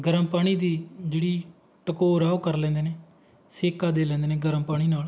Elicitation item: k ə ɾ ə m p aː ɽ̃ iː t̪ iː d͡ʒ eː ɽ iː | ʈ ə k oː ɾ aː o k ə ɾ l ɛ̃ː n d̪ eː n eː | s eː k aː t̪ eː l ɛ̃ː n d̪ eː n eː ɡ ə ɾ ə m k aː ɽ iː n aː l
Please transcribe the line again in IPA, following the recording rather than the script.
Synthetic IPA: ɡ ə ɾ ə m p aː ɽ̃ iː d̪ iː d͡ʒ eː ɽ iː | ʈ ə k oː ɾ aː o k ə ɾ l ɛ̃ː n d̪ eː n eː | s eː k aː d̪ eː l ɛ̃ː n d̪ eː n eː ɡ ə ɾ ə m p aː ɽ iː n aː l